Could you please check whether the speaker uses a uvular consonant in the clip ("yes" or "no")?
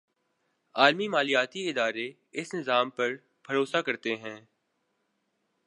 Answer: no